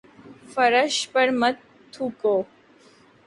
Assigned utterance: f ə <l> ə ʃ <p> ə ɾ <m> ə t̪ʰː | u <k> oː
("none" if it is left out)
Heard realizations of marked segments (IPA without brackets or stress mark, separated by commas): ɾ, p, m, k